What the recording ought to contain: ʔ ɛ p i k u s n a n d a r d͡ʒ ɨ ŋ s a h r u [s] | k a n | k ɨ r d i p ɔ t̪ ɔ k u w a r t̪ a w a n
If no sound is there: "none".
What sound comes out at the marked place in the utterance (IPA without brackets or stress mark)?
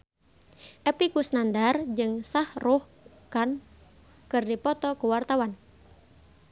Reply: h